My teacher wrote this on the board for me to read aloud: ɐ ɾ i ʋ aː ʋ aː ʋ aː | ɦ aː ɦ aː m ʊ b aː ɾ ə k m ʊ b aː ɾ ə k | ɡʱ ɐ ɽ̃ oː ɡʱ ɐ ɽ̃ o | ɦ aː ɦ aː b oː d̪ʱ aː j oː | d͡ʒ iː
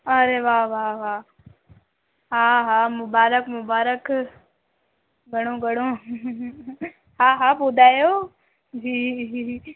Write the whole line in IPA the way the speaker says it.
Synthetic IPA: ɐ ɾ e ʋ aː ʋ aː ʋ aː | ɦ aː ɦ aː m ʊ b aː ɾ ə k m ʊ b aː ɾ ə k | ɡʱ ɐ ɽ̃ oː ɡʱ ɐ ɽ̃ o | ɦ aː ɦ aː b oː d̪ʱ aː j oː | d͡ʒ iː